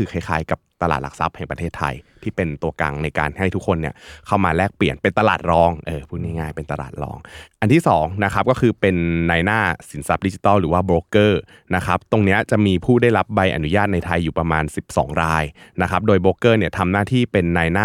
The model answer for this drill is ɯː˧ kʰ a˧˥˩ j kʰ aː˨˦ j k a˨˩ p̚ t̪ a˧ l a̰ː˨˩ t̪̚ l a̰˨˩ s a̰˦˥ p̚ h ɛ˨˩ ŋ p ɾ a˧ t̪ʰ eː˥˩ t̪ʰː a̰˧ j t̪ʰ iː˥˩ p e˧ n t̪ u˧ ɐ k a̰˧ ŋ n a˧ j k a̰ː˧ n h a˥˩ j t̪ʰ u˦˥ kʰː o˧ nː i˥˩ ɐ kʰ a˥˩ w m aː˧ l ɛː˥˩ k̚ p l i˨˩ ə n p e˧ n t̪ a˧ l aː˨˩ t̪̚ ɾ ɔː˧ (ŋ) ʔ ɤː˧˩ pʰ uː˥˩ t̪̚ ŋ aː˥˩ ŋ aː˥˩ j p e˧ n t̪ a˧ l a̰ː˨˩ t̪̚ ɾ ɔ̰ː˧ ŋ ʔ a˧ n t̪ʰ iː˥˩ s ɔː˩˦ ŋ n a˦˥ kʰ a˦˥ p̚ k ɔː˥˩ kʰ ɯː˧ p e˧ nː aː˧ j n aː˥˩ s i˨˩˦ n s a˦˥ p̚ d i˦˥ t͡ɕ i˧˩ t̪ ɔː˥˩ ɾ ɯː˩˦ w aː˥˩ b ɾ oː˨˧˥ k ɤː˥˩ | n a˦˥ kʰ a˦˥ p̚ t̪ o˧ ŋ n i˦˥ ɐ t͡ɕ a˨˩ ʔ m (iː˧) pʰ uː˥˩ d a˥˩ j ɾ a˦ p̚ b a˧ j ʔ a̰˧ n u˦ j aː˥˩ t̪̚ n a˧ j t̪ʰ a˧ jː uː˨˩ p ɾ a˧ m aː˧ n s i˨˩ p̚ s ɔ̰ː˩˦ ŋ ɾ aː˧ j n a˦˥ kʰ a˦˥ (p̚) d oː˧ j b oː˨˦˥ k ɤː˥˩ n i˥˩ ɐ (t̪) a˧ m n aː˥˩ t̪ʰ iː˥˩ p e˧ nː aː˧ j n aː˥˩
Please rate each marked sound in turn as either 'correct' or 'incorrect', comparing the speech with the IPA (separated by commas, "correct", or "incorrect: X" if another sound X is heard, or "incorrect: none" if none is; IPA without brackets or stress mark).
correct, correct, correct, incorrect: t̪ʰ